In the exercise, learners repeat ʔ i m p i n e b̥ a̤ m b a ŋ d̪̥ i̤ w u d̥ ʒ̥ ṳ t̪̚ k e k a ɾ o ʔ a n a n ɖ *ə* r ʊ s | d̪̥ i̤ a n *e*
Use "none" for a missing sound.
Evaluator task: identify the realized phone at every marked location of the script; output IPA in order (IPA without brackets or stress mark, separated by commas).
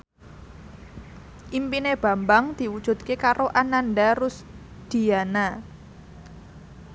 a, a